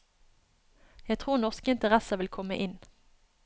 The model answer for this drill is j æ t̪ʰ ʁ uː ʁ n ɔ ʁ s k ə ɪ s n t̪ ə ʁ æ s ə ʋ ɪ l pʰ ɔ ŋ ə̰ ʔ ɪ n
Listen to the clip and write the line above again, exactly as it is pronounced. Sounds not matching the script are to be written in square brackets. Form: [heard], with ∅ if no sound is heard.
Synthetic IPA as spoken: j æ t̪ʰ ʁ uː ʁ n ɔ ʁ s k ə ɪ [∅] n t̪ ə ʁ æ s ə ʋ ɪ l [kʰ] ɔ [m] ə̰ ʔ ɪ n